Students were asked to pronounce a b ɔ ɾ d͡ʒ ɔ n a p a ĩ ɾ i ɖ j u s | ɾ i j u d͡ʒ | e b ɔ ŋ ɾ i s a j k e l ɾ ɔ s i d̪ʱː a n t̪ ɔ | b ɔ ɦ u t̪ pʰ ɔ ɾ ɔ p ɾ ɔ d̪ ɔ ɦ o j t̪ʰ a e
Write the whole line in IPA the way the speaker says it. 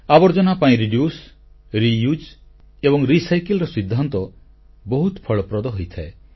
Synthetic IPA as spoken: a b ɔ ɾ d͡ʒ ɔ n a p a ĩ ɾ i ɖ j u s | ɾ i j u d͡ʒ | e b ɔ ŋ ɾ i s a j k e l ɾ ɔ s i d̪ʱː a n t̪ ɔ | b ɔ ɦ u t̪ pʰ ɔ ɭ ɔ p ɾ ɔ d̪ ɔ ɦ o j t̪ʰ a e